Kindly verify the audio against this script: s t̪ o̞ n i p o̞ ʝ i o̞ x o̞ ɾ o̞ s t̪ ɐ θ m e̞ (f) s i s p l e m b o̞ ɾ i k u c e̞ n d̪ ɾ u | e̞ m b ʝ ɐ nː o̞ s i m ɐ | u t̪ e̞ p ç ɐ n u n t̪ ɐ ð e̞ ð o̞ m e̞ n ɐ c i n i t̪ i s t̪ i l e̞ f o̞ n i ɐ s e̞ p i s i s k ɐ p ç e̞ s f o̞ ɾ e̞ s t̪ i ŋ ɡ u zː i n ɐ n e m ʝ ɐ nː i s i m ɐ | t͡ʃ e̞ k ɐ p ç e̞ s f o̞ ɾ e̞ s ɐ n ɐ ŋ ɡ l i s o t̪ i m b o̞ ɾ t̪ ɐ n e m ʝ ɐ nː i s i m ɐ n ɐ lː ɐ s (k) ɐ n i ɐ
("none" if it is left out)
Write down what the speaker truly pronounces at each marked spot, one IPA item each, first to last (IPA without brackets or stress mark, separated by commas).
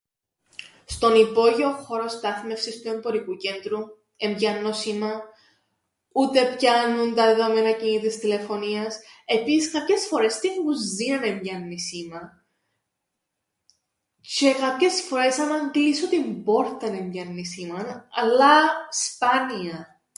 f, p